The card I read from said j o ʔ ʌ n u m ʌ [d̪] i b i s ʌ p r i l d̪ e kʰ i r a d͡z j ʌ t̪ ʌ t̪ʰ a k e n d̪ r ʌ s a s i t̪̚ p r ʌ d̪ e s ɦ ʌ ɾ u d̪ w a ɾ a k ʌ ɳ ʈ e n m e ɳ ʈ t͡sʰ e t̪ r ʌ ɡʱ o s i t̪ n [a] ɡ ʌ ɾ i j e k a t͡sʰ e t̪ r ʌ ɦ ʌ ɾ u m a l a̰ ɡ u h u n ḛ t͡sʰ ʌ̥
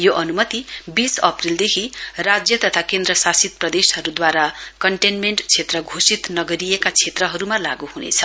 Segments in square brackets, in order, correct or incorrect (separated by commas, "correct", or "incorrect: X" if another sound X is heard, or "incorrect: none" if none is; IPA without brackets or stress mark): incorrect: t̪, incorrect: ʌ